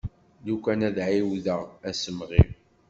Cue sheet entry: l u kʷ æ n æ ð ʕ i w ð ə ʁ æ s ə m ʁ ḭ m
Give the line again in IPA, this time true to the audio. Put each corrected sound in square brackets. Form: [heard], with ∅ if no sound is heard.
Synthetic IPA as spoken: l u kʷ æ n æ ð ʕ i w ð ə ʁ æ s ə m ʁ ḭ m